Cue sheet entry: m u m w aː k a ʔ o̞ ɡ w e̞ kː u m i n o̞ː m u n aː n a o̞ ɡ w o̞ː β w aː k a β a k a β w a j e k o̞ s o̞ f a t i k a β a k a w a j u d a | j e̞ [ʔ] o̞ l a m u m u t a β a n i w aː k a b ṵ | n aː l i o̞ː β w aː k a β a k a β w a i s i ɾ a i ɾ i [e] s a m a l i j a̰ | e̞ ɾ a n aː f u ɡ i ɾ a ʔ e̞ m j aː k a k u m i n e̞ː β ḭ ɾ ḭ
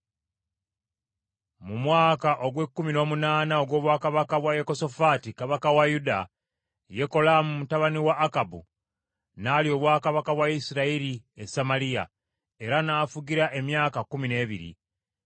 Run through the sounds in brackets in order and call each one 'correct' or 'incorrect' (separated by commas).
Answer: incorrect, correct